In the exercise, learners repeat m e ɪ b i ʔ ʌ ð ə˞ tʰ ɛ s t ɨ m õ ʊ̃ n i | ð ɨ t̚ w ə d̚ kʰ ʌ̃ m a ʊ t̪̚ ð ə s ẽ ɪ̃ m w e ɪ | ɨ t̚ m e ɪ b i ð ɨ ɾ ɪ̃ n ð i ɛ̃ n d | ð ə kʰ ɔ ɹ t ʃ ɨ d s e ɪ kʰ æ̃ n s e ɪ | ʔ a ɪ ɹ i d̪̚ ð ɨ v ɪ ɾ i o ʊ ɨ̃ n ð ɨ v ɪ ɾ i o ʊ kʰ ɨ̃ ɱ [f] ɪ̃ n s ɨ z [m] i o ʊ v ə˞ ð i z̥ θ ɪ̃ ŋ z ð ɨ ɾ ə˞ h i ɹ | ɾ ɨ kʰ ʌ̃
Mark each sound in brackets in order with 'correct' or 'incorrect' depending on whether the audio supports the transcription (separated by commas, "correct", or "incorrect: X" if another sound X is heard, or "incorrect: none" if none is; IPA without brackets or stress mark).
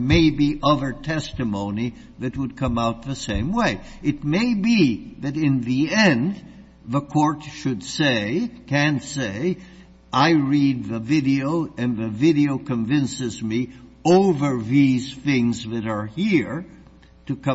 incorrect: v, correct